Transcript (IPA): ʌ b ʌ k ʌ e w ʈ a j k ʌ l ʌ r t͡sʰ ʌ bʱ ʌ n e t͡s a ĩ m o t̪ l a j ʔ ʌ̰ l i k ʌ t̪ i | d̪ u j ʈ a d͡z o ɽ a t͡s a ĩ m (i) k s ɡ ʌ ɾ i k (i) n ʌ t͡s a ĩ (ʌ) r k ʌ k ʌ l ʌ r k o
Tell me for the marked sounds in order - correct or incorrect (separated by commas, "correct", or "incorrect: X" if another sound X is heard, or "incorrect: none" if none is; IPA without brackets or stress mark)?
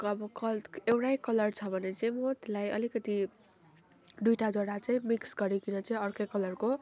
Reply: correct, correct, correct